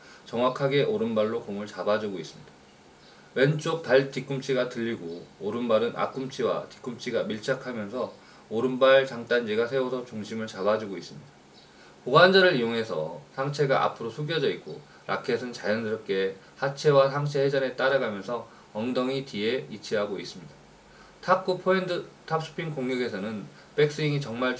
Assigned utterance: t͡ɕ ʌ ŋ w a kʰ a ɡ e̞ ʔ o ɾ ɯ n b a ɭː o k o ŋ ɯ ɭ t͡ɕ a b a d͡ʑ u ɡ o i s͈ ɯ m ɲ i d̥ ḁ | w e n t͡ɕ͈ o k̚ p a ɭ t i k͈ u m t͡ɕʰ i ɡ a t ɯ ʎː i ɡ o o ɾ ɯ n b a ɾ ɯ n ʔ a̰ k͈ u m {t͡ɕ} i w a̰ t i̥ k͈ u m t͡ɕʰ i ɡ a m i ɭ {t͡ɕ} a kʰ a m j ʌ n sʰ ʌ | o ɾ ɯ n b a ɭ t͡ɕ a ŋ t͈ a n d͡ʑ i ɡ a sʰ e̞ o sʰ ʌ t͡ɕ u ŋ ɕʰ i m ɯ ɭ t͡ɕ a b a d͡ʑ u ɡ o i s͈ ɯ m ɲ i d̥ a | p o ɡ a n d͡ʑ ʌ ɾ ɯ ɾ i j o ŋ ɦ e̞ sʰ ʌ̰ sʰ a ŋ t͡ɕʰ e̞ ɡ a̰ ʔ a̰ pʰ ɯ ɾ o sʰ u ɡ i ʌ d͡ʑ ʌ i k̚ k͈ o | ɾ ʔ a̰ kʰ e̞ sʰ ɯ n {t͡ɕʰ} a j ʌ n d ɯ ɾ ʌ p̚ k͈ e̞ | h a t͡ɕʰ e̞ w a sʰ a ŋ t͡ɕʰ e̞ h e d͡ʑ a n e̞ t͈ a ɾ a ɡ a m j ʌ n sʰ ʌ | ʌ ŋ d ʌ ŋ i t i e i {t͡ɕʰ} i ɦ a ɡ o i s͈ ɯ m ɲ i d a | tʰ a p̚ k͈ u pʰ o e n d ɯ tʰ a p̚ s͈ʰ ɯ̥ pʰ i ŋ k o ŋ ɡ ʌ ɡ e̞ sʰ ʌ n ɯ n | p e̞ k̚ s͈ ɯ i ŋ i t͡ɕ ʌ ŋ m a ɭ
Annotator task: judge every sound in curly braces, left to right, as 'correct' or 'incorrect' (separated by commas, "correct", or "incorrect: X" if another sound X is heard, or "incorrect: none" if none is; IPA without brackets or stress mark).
incorrect: t͡ɕʰ, incorrect: t͡ɕʰ, incorrect: t͡ɕ, correct